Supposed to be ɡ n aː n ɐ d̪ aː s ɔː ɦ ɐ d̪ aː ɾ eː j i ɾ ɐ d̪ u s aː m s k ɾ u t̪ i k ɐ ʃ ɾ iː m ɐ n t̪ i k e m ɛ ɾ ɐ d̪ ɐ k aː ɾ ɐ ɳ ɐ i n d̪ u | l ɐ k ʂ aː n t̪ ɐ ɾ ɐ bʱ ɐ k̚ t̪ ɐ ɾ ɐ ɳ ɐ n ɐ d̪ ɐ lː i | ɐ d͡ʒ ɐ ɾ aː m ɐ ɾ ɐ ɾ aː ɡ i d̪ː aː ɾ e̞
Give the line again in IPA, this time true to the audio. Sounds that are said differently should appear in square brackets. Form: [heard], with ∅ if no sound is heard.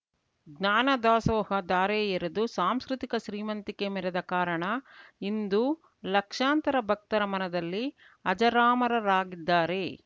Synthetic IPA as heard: ɡ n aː n ɐ d̪ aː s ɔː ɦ ɐ d̪ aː ɾ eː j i ɾ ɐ d̪ u s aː m s k ɾ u t̪ i k ɐ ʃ ɾ iː m ɐ n t̪ i k e m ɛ ɾ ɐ d̪ ɐ k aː ɾ ɐ ɳ ɐ i n d̪ u | l ɐ k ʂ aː n t̪ ɐ ɾ ɐ bʱ ɐ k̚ t̪ ɐ ɾ ɐ [m] ɐ n ɐ d̪ ɐ lː i | ɐ d͡ʒ ɐ ɾ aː m ɐ ɾ ɐ ɾ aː ɡ i d̪ː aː ɾ e̞